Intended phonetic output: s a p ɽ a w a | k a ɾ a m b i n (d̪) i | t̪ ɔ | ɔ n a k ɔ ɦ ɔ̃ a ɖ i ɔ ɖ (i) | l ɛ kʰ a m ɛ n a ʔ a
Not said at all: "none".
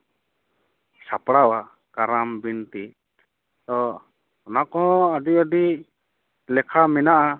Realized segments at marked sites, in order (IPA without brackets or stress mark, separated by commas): t̪, i